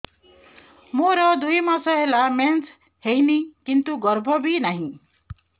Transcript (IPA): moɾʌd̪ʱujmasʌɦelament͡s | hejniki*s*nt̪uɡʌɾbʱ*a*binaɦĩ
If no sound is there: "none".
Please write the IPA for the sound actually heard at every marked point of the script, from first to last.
none, ʌ

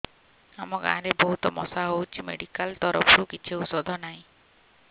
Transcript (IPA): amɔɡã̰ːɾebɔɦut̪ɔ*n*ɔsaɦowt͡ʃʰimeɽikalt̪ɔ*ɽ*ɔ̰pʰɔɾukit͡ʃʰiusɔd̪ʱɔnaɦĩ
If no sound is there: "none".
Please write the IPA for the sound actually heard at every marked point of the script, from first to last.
m, ɾ

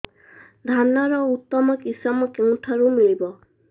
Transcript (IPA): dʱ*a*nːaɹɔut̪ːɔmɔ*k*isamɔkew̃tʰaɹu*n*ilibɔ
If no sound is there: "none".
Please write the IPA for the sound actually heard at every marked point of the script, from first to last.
a, k, m

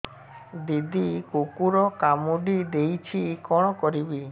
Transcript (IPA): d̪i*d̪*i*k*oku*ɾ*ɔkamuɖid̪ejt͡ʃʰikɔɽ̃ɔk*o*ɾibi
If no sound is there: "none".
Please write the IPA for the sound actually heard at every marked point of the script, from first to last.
d̪, k, ɾ, ɔ

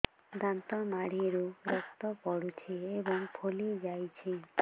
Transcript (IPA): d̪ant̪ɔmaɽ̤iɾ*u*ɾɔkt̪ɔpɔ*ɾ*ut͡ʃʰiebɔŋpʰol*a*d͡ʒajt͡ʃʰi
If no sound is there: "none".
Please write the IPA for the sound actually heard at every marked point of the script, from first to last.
u, ɽ, i

